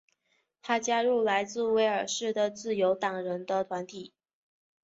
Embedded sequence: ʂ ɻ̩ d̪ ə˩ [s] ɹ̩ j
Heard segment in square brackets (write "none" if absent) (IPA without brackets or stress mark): t͡s